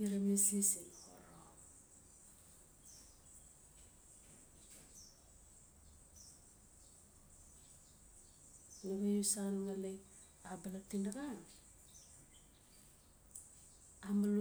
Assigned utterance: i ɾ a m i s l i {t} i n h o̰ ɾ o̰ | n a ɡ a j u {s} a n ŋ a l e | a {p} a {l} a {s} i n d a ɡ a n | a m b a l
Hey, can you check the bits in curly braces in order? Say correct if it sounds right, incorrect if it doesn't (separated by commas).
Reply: incorrect, correct, incorrect, correct, incorrect